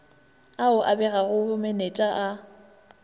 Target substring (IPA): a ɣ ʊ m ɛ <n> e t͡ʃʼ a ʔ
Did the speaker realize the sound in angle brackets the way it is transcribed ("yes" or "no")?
yes